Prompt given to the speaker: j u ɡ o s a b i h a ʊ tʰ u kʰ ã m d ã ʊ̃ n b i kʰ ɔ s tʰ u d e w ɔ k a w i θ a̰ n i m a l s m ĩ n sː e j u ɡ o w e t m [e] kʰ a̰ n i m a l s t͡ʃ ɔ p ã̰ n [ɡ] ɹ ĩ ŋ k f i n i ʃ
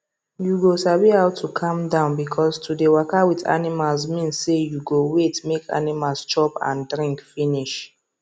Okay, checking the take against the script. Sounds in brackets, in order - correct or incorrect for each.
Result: correct, incorrect

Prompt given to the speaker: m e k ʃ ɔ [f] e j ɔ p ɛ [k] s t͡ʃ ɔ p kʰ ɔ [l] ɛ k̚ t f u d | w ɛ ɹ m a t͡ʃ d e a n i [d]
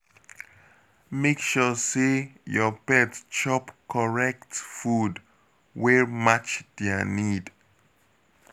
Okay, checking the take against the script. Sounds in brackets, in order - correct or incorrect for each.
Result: incorrect, incorrect, incorrect, correct

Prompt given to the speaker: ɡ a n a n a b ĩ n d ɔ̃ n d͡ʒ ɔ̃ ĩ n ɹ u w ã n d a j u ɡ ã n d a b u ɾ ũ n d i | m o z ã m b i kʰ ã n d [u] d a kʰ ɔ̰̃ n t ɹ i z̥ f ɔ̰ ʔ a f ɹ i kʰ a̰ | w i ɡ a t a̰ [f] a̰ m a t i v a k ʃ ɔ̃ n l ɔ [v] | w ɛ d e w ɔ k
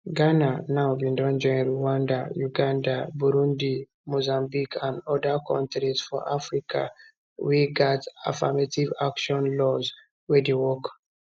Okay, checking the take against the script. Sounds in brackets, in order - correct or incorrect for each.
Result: incorrect, correct, incorrect

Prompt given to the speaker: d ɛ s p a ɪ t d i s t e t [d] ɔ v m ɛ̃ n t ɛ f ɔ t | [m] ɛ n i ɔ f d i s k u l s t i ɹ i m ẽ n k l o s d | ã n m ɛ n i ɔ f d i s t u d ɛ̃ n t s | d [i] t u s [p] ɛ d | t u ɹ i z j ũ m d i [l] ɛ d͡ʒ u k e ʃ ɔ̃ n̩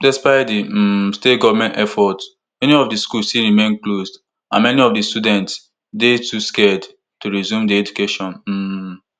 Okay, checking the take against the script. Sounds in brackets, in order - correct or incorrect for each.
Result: incorrect, correct, incorrect, incorrect, incorrect

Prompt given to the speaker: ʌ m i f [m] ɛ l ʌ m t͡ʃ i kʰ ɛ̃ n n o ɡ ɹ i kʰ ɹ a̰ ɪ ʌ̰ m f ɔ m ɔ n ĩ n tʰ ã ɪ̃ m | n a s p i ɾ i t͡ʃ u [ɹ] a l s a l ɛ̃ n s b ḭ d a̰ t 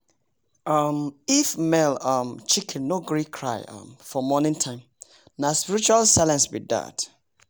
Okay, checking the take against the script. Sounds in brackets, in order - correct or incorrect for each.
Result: correct, incorrect

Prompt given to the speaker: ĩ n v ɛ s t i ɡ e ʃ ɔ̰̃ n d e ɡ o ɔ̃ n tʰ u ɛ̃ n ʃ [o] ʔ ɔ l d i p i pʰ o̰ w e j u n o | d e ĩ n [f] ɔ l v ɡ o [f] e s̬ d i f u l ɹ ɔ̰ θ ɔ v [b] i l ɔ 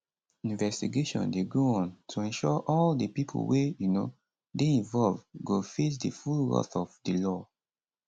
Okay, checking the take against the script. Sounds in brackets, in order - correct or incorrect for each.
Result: incorrect, incorrect, correct, incorrect

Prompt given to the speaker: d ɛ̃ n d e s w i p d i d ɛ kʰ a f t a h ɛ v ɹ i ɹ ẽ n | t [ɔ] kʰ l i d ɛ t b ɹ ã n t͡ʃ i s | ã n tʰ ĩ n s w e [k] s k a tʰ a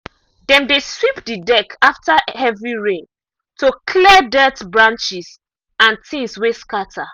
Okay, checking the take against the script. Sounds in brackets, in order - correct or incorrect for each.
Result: incorrect, incorrect

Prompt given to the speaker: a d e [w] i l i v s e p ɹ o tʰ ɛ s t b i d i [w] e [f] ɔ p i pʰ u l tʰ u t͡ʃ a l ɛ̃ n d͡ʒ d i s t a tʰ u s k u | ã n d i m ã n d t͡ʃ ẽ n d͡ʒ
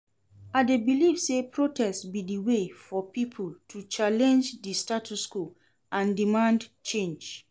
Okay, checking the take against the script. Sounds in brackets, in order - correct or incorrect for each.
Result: incorrect, correct, correct

